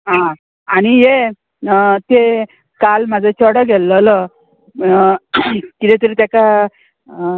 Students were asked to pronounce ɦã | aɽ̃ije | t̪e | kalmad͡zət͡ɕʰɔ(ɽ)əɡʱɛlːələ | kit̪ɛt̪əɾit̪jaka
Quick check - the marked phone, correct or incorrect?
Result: correct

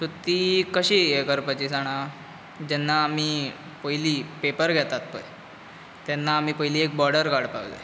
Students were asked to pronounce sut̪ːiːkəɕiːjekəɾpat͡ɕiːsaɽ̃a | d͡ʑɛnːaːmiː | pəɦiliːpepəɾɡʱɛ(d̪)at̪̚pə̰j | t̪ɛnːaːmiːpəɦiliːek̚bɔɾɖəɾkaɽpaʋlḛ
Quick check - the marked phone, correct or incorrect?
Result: incorrect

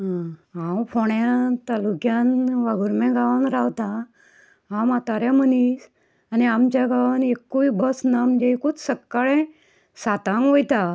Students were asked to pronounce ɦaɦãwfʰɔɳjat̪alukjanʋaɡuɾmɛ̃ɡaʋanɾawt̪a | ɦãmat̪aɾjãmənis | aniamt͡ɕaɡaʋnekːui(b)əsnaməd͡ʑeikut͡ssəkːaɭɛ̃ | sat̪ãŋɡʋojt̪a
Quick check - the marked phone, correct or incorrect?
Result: correct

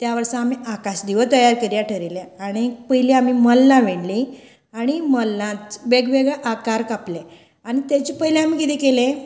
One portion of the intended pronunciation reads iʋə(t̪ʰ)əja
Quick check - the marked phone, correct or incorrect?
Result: incorrect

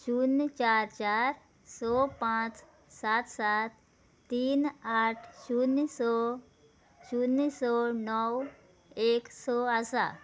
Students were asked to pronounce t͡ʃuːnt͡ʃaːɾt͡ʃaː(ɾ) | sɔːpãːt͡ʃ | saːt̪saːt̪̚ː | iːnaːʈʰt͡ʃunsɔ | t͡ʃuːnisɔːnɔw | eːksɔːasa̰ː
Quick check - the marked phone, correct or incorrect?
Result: correct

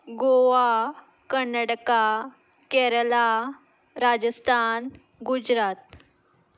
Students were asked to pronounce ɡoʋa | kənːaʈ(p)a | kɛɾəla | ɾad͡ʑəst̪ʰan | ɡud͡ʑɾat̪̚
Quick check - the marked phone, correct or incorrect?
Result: incorrect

